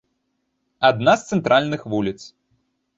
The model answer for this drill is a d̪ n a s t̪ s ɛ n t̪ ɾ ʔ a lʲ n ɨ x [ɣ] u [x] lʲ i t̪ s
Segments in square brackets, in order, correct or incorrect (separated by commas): incorrect, incorrect